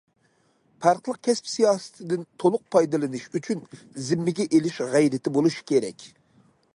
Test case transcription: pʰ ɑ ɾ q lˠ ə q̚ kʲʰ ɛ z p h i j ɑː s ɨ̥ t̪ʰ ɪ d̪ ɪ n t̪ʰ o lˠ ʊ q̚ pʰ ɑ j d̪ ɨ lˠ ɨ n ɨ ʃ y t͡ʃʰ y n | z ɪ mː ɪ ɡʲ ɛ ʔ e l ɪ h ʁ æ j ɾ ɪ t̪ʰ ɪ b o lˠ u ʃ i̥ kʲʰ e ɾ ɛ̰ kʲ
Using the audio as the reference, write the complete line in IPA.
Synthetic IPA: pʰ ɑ ɾ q lˠ ə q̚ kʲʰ ɛ s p s i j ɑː s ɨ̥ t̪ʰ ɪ d̪ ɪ n t̪ʰ o lˠ ʊ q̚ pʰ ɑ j d̪ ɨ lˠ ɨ n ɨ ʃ y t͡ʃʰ y n | z ɪ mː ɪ ɡʲ ɛ ʔ e l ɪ ʃ ʁ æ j ɾ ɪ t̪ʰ ɪ b o lˠ u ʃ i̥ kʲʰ e ɾ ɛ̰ kʲ